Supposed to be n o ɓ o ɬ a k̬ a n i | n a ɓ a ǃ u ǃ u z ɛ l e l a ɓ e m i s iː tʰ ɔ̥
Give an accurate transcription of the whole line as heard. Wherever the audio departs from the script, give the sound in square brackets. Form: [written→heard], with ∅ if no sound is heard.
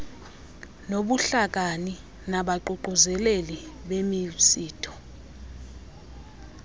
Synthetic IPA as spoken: n o ɓ [o→u] ɬ a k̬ a n i | n a ɓ a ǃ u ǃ u z ɛ l e l [a→i] ɓ e m i s iː tʰ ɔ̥